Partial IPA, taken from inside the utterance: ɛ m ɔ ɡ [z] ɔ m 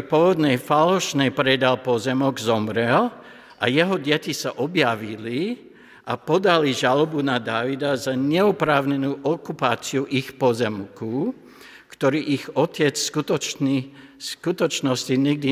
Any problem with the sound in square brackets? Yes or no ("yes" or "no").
no